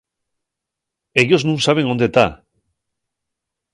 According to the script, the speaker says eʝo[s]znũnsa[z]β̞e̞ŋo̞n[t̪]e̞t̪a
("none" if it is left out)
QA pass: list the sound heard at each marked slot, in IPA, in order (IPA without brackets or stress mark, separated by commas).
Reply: none, none, d̪